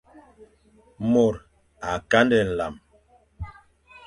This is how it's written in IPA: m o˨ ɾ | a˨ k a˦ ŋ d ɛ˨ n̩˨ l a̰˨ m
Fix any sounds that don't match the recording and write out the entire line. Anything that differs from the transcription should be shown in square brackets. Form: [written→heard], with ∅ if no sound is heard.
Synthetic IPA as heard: m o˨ ɾ | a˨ k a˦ [ŋ→n] d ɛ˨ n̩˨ l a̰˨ m